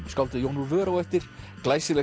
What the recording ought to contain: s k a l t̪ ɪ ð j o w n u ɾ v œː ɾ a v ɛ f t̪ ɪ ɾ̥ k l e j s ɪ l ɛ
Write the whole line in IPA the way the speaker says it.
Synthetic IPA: s k a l t̪ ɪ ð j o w n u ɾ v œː ɾ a w ɛ f t̪ ɪ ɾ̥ k l a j s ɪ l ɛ